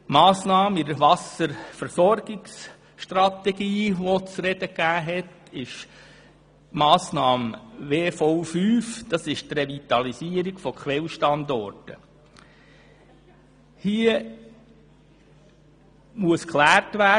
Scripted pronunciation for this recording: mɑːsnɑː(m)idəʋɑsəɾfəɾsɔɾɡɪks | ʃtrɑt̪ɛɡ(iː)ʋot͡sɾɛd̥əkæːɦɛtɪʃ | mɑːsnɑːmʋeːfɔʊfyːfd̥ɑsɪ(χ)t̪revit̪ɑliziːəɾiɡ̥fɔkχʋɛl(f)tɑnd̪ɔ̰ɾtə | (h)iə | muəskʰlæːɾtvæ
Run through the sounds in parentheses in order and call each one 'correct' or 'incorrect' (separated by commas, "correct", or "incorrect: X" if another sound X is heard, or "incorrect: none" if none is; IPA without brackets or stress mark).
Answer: correct, correct, incorrect: ʃ, incorrect: ʃ, correct